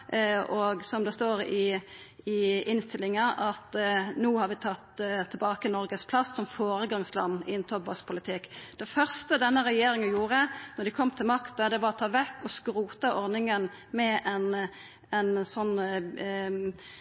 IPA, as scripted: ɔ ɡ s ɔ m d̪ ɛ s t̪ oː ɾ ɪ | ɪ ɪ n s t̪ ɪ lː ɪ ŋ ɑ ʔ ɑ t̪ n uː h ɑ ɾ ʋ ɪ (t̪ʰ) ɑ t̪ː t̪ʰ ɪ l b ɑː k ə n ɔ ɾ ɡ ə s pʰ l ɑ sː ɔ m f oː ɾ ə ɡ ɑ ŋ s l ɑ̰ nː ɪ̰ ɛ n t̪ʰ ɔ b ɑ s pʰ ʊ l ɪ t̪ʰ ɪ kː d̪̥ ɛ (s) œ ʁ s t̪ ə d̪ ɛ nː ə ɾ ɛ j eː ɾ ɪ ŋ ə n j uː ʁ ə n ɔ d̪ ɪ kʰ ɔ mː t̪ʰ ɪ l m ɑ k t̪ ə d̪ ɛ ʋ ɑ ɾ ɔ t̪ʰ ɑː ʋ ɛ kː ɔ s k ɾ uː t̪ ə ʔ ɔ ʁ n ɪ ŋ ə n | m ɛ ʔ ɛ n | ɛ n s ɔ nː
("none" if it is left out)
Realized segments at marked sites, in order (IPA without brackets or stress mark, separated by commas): t̪ʰ, f